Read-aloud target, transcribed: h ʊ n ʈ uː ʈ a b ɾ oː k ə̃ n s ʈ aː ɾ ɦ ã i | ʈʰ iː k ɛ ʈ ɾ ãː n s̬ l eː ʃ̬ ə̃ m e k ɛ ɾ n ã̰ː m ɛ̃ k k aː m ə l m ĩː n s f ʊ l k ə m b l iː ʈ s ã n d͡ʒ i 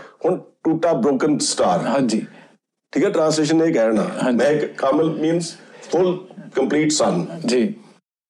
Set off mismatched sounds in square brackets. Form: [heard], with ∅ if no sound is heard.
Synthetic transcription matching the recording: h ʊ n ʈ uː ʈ a b ɾ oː k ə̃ n s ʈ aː ɾ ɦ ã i | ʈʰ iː k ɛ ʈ ɾ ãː n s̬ l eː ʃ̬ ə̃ [n] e k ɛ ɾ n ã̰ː m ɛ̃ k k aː m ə l m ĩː n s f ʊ l k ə m [p] l iː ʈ s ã n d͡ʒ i